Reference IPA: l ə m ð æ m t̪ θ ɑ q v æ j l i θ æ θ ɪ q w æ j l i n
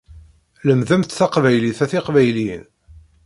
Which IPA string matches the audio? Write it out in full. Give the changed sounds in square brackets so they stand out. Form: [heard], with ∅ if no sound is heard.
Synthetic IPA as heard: l ə m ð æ m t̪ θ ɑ q v æ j l i θ æ θ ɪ q [v] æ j l i n